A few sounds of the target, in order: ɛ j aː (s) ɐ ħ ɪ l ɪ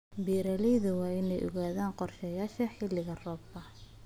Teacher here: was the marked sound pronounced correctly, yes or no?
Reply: no